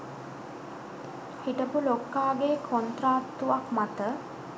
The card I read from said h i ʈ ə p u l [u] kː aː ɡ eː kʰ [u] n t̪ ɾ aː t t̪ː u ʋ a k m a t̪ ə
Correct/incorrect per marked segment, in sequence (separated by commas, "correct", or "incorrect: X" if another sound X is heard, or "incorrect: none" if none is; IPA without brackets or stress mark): incorrect: o, incorrect: o